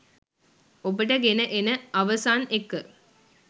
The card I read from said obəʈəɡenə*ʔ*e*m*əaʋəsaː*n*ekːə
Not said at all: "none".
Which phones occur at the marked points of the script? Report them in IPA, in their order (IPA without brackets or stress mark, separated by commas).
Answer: ʔ, n, n